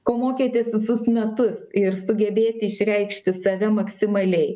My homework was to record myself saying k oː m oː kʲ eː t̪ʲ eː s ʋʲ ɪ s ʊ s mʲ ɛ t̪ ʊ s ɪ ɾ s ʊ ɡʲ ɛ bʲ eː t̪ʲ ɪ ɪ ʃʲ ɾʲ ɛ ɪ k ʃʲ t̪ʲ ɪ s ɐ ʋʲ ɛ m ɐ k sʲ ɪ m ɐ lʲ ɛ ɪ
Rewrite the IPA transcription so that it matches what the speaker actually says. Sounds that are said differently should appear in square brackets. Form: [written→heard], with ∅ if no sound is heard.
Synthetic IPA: k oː m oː kʲ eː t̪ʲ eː s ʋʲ ɪ s ʊ s mʲ ɛ t̪ ʊ s ɪ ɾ s ʊ ɡʲ ɛ bʲ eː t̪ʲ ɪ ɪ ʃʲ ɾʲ ɛ ɪ k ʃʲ t̪ʲ ɪ s ɐ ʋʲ ɛ m ɐ k sʲ ɪ m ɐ lʲ ɛ ɪ